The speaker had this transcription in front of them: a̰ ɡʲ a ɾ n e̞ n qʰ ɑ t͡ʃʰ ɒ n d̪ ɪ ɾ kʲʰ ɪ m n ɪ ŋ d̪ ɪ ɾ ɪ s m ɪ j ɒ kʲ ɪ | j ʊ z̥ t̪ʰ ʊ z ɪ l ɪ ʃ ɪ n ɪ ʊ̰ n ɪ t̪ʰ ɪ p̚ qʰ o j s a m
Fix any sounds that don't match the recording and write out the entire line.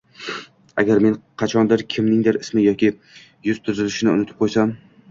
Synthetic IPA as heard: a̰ ɡʲ a ɾ m e̞ n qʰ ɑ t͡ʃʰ ɒ n d̪ ɪ ɾ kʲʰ ɪ m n ɪ ŋ d̪ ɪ ɾ ɪ s m ɪ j ɒ kʲ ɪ | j ʊ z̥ t̪ʰ ʊ z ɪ l ɪ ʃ ɪ n ɪ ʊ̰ n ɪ t̪ʰ ɪ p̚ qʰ o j s a m